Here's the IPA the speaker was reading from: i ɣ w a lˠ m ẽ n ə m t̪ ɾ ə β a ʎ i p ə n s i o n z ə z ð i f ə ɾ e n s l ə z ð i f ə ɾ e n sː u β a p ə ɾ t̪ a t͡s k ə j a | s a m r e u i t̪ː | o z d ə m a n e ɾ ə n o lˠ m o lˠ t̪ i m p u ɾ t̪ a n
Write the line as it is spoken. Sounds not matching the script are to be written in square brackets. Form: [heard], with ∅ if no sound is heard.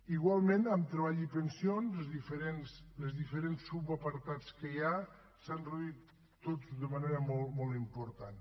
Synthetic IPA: i ɣ w a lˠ m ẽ n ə m t̪ ɾ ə β a ʎ i p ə n s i o n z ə z ð i f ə ɾ e n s l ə z ð i f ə ɾ e n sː u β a p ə ɾ t̪ a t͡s k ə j a | s a [n] r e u i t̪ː | o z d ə m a n e ɾ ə [m] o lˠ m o lˠ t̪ i m p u ɾ t̪ a n

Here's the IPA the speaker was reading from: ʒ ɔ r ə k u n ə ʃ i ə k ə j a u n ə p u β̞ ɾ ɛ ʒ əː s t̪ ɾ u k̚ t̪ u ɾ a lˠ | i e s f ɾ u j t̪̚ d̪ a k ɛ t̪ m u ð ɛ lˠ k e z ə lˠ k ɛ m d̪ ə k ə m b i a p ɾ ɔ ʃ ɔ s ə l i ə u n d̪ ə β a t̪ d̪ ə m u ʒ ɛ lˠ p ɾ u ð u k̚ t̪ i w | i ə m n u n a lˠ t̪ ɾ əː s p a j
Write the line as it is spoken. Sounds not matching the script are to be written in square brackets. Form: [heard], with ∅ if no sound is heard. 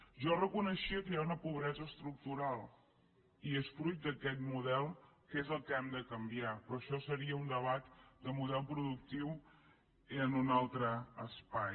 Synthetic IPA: ʒ ɔ r ə k u n ə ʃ i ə k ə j a u n ə p u β̞ ɾ ɛ [z] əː s t̪ ɾ u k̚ t̪ u ɾ a lˠ | i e s f ɾ u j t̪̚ d̪ [ə] k ɛ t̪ m u ð ɛ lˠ k e z ə lˠ k ɛ m d̪ ə k ə m b i a p ɾ ɔ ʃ ɔ s ə [ɾ] i ə u n d̪ ə β a t̪ d̪ ə m u [ð] ɛ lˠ p ɾ u ð u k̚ t̪ i w | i ə [∅] n u n a lˠ t̪ ɾ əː s p a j

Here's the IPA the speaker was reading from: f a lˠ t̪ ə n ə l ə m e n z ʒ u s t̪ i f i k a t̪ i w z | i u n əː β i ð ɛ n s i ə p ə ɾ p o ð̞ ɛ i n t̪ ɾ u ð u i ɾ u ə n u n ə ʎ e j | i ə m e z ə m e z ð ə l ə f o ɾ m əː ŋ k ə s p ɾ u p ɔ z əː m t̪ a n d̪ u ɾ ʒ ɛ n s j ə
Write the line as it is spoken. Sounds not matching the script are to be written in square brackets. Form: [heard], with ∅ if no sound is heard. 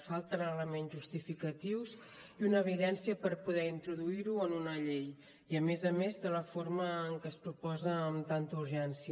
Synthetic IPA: f a lˠ t̪ ə n ə l ə m e n z ʒ u s t̪ i f i k [ə] t̪ i w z | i u n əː β i ð ɛ n s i ə p ə ɾ p [u] ð̞ ɛ i n t̪ ɾ u ð u i ɾ u ə n u n ə ʎ e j | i ə m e z ə m e z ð ə l ə f o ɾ m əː ŋ k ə s p ɾ u p ɔ z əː m t̪ a n [t̪] u ɾ ʒ ɛ n s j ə

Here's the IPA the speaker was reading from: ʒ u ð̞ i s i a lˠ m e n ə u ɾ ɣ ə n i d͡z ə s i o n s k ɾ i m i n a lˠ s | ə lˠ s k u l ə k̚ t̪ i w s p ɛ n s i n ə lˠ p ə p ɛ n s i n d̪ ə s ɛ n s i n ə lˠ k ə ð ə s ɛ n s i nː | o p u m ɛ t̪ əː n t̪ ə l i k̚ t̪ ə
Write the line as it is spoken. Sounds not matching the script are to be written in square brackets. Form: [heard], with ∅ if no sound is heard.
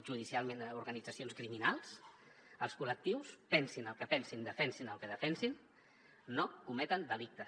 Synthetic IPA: ʒ u ð̞ i s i a lˠ m e n ə u ɾ ɣ ə n i d͡z ə s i o n s k ɾ i m i n a lˠ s | ə lˠ s k u l ə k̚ t̪ i w s p ɛ n s i n ə lˠ [k] ə p ɛ n s i n d̪ ə [f] ɛ n s i n ə lˠ k ə ð ə [f] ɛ n s i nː | o [k] u m ɛ t̪ [ə] n [d̪] ə l i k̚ t̪ ə

